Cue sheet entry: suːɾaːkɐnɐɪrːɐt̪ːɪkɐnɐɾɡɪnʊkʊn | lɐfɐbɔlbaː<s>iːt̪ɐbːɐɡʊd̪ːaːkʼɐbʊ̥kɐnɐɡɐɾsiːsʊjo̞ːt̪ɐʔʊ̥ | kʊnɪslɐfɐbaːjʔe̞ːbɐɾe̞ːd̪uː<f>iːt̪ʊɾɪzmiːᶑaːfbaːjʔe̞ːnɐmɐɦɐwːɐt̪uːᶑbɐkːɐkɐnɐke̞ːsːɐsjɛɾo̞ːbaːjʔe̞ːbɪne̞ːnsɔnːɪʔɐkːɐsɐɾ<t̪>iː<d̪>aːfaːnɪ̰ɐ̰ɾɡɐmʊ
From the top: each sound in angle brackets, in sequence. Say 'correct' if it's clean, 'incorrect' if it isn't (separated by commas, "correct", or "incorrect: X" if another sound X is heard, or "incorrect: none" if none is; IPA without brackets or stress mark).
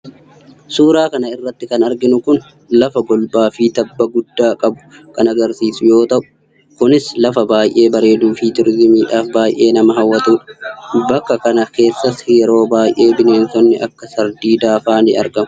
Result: incorrect: f, correct, incorrect: d̪, correct